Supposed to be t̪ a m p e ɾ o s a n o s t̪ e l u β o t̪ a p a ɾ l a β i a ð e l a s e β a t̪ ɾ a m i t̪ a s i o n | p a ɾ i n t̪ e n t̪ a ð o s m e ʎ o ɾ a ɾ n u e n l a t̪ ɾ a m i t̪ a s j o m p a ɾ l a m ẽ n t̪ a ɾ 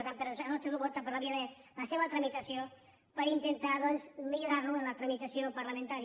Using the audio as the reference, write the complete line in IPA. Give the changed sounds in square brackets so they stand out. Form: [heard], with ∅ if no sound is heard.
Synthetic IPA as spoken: t̪ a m p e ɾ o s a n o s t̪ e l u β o t̪ a p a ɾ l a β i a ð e l a s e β a t̪ ɾ a m i t̪ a s [j] o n | p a ɾ i n t̪ e n t̪ a ð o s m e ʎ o ɾ a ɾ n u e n l a t̪ ɾ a m i t̪ a s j o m p a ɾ l a m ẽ n t̪ a ɾ